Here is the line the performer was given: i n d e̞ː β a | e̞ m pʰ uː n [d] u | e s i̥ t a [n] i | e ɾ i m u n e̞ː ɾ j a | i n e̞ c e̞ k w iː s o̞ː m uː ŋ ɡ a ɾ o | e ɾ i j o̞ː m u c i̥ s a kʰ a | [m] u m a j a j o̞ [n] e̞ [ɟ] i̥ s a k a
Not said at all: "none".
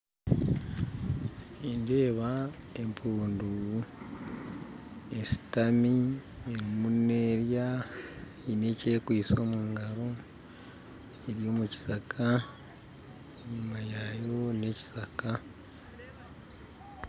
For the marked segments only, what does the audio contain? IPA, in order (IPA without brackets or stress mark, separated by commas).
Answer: d, m, ɲ, n, c